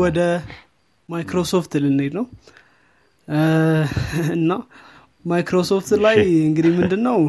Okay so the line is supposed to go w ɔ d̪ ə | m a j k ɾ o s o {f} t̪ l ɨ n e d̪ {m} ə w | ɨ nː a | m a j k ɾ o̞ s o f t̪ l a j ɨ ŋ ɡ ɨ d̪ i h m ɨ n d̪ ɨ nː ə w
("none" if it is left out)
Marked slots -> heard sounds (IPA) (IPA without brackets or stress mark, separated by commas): f, n